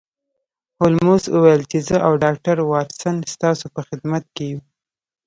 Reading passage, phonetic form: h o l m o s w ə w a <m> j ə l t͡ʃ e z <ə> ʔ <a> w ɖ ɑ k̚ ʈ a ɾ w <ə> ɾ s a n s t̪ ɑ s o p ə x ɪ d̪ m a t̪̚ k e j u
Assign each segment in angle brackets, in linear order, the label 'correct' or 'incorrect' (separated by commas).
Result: incorrect, correct, correct, incorrect